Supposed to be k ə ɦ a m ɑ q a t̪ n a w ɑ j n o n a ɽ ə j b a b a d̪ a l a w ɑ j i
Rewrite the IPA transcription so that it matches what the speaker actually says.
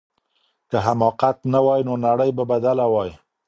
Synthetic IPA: k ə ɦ a m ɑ q a t̪ n a w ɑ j n o n a ɽ ə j b a b a d̪ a l a w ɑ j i